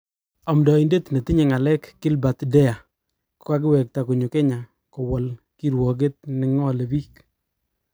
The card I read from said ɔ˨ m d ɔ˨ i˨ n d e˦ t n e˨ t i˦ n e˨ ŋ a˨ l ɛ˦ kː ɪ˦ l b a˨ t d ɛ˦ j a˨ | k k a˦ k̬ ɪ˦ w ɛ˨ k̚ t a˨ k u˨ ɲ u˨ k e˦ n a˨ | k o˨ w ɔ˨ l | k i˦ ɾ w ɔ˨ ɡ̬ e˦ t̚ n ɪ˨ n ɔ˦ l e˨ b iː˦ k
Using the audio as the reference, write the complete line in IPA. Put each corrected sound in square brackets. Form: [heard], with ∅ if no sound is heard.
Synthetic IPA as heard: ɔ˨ m d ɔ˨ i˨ n d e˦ t n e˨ t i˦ [ɲ] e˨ ŋ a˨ l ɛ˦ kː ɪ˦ l b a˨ t d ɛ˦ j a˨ | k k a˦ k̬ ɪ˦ w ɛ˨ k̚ t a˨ k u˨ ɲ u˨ k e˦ [ɲ] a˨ | k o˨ w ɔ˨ l | k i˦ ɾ w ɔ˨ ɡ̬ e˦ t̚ n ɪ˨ [ŋ] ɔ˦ l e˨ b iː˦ k

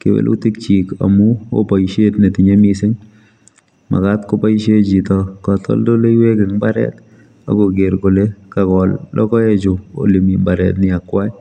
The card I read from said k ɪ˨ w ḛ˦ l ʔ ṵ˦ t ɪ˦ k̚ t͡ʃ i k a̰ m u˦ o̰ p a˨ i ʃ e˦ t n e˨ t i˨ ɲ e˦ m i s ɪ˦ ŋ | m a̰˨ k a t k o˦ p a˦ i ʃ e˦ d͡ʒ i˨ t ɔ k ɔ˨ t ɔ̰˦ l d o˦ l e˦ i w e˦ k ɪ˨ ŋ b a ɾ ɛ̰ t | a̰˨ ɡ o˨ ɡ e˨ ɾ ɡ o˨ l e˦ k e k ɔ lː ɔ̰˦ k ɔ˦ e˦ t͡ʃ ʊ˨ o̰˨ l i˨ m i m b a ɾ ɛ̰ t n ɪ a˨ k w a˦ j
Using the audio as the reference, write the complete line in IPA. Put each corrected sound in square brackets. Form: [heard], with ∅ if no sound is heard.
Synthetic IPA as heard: k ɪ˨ w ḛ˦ l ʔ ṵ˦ t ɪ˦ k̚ t͡ʃ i k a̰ m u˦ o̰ p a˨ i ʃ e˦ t n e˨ t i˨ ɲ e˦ m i s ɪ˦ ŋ | m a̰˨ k a t k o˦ p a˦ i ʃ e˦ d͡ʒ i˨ t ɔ k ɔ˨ t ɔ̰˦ l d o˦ l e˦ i w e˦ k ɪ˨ ŋ b a ɾ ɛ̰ t | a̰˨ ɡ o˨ ɡ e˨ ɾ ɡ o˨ l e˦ k [a] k ɔ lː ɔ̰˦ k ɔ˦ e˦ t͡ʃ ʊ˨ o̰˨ l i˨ m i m b a ɾ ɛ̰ t n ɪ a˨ k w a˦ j

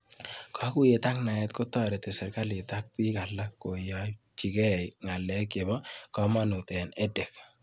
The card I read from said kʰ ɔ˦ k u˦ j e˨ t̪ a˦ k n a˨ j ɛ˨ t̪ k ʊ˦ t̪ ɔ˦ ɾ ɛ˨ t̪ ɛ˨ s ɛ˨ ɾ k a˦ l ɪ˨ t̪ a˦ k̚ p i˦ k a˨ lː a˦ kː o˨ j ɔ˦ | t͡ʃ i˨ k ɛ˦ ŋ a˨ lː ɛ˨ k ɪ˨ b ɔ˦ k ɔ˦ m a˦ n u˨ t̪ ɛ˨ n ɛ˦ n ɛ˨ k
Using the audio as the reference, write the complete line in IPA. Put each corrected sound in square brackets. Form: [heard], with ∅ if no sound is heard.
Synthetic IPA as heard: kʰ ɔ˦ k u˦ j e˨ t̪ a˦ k n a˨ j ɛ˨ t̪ k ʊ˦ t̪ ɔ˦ ɾ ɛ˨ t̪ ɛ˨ s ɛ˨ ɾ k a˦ l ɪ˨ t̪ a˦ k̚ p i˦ k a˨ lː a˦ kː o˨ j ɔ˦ | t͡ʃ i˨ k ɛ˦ ŋ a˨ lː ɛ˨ k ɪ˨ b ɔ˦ k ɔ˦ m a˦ n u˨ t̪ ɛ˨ n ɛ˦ [d] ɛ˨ k

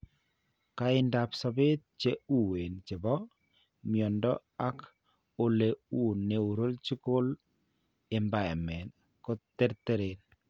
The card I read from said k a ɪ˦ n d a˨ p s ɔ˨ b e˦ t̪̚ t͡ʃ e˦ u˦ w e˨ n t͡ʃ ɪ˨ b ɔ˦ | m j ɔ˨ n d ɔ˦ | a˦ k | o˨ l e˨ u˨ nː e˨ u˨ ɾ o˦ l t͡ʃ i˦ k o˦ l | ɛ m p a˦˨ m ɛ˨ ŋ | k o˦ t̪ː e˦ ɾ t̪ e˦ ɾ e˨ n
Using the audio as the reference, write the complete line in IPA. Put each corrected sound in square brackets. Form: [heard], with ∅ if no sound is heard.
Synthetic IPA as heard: k a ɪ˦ n d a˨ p s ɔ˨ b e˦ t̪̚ t͡ʃ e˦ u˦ w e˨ n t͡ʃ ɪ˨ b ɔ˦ | m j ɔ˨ n d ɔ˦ | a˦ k | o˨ l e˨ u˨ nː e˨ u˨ ɾ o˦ l t͡ʃ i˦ k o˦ l | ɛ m [b] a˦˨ m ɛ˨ [n] | k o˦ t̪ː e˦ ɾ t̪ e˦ ɾ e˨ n

